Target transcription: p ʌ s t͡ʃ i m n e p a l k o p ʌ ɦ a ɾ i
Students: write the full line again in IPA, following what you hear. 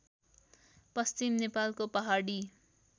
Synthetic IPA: p ʌ s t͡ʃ i m n e p a l k o p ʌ ɦ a ɽ i